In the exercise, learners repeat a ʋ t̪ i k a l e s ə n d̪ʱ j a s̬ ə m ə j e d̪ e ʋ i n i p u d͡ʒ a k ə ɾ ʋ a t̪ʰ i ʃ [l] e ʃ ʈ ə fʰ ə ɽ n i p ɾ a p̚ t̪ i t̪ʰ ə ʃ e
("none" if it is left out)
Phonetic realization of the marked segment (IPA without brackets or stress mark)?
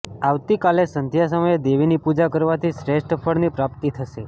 ɾ